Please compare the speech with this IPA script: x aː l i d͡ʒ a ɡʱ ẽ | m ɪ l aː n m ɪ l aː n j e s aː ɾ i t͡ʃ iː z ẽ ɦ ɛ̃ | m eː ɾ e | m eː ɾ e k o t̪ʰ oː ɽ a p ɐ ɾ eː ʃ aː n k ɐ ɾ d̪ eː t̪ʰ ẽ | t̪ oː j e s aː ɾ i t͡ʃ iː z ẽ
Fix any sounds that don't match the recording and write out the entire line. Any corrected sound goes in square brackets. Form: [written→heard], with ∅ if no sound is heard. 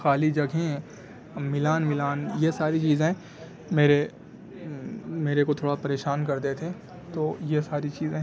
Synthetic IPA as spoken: x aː l i d͡ʒ [a→ɐ] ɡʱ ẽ | m ɪ l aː n m ɪ l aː n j e s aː ɾ i t͡ʃ iː z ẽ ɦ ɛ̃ | m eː ɾ e | m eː ɾ e k o t̪ʰ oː ɽ a p ɐ ɾ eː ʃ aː n k ɐ ɾ d̪ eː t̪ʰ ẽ | t̪ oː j e s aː ɾ i t͡ʃ iː z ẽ